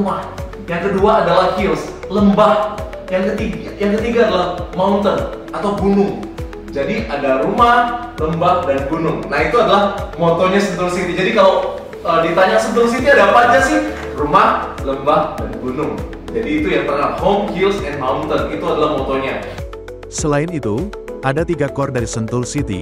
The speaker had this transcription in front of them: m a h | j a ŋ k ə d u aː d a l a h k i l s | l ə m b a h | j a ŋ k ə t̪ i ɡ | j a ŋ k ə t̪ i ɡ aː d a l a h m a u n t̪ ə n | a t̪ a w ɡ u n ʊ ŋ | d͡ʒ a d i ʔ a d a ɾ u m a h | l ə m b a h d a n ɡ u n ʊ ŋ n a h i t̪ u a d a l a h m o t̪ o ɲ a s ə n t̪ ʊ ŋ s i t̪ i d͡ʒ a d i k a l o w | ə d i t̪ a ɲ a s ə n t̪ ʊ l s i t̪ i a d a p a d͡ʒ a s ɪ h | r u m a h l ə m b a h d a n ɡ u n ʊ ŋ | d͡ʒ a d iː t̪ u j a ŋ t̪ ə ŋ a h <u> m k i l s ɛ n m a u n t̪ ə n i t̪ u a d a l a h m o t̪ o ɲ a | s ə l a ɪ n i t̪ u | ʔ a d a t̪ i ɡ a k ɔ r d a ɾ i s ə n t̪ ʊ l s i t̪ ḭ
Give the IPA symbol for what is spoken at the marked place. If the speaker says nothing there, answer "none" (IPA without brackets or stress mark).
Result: o